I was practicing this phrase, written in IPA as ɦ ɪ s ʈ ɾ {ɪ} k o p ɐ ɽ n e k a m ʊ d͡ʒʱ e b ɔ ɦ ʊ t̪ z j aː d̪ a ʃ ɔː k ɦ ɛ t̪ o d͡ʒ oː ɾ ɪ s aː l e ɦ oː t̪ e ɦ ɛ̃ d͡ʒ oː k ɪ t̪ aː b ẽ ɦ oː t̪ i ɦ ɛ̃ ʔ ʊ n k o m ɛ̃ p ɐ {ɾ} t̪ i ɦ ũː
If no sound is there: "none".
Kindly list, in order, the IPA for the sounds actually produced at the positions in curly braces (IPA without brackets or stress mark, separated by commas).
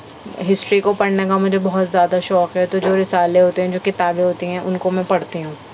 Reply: i, ɽ